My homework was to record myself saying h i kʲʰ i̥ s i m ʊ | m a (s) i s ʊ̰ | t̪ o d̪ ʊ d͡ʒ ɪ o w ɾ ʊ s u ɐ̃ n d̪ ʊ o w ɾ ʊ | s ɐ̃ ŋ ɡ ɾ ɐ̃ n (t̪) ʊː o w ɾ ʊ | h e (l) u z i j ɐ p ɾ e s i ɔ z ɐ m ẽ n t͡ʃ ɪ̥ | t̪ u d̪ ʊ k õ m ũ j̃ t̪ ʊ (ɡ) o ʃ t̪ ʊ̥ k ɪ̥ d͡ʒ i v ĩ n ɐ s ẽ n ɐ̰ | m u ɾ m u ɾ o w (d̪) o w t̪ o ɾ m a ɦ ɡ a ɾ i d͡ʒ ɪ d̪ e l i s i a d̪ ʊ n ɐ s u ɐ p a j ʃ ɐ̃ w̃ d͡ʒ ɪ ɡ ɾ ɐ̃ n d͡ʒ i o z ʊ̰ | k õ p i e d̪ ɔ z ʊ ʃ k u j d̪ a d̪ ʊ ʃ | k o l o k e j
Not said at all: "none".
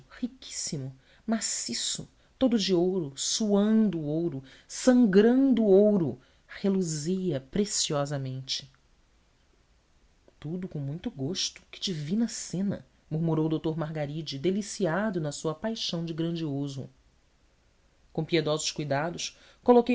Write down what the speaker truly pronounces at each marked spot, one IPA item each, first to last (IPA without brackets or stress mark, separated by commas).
s, d̪, l, ɡ, d̪